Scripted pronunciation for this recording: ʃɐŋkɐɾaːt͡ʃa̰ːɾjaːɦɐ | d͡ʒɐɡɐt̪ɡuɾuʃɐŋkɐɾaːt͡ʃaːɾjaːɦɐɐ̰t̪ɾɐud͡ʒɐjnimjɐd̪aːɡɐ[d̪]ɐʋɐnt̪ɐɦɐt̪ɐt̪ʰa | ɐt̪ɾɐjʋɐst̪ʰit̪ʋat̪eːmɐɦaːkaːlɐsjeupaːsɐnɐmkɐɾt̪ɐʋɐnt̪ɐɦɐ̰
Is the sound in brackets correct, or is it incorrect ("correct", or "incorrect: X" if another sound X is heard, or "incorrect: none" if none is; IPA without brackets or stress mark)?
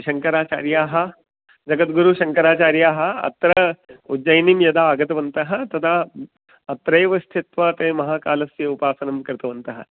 incorrect: t̪